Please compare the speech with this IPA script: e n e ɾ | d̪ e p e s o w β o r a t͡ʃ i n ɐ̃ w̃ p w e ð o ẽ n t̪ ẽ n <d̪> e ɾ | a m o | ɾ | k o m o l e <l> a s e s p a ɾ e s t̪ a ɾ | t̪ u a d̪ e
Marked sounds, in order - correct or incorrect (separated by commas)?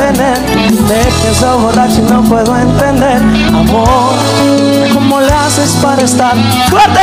correct, incorrect